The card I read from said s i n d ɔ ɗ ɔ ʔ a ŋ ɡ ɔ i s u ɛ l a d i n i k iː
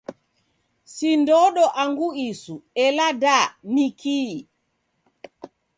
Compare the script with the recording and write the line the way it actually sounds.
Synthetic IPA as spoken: s i n d ɔ ɗ ɔ ʔ a ŋ ɡ u i s u ɛ l a d a n i k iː